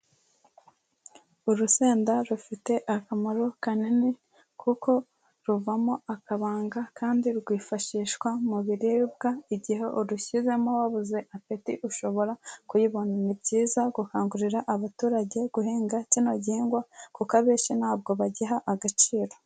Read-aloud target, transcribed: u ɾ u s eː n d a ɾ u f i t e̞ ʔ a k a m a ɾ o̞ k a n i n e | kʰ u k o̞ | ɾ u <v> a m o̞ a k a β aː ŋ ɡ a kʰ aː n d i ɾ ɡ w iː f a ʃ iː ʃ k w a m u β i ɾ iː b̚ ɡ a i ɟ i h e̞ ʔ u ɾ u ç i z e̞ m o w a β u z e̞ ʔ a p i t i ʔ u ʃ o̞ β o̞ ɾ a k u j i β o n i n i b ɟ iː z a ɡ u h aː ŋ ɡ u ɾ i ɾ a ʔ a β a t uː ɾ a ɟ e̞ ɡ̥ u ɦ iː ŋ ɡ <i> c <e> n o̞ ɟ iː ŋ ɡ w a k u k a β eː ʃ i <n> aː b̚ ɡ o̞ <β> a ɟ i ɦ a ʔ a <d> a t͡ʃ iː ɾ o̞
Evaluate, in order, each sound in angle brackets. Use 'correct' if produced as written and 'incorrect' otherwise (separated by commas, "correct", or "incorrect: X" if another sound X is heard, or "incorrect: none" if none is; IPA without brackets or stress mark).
correct, incorrect: a, incorrect: i, correct, correct, incorrect: ɡ